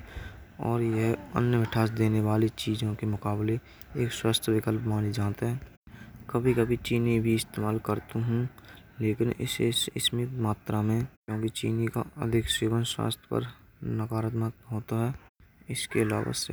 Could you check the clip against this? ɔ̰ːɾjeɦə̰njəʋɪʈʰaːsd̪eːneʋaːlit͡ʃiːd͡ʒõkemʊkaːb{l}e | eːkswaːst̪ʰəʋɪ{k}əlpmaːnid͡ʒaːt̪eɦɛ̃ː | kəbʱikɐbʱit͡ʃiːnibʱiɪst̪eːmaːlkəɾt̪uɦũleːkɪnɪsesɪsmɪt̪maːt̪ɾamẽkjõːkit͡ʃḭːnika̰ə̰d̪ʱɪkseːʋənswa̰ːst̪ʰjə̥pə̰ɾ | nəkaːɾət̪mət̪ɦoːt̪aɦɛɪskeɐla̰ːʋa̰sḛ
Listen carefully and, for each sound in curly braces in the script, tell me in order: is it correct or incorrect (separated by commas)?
correct, correct